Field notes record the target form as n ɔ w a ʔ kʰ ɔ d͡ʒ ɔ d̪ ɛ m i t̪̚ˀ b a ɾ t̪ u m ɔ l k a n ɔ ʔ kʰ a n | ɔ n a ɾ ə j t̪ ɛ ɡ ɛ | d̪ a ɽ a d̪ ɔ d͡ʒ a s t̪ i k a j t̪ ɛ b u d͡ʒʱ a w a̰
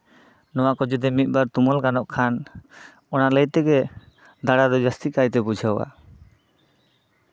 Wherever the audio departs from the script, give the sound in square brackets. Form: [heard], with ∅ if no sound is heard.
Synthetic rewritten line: n ɔ w a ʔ [k] ɔ d͡ʒ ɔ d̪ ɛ m i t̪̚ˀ b a ɾ t̪ u m ɔ l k a n ɔ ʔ kʰ a n | ɔ n a [l] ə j t̪ ɛ ɡ ɛ | d̪ a ɽ a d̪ ɔ d͡ʒ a s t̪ i k a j t̪ ɛ b u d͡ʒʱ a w a̰